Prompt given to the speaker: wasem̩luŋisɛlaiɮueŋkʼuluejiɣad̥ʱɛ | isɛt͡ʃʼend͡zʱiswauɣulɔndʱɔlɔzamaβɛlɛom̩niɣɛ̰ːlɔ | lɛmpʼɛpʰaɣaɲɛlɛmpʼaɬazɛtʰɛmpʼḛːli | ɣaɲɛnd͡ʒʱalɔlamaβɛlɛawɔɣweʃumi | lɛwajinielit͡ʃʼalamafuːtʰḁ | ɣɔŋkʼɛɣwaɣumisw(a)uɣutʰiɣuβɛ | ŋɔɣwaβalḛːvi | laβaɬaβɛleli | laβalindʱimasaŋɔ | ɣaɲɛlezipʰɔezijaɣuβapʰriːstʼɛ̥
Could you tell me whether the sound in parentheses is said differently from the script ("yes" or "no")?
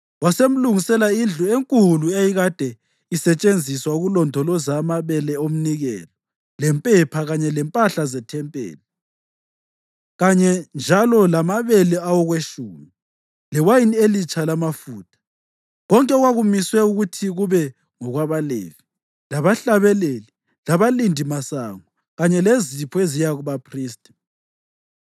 yes